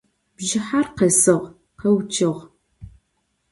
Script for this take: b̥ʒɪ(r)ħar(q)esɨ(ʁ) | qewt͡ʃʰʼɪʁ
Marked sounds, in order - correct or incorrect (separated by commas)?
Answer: incorrect, correct, correct